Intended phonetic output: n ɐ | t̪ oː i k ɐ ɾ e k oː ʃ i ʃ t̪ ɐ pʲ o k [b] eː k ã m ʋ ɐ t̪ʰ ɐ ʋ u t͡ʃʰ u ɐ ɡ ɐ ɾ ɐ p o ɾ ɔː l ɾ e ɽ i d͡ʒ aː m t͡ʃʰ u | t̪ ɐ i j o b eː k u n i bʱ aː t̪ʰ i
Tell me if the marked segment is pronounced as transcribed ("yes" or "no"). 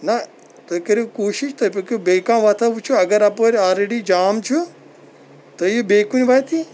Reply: yes